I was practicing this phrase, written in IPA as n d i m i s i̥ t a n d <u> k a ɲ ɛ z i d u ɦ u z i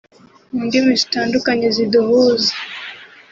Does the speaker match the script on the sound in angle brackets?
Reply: yes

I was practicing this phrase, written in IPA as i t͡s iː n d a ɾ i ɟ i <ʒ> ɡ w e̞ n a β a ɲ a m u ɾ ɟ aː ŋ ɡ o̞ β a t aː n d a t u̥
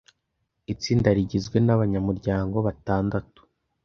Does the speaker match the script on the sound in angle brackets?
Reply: no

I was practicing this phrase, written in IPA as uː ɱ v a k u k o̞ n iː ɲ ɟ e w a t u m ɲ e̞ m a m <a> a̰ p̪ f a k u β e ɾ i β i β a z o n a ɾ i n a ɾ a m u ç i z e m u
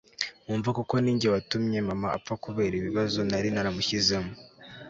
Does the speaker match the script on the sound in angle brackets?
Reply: yes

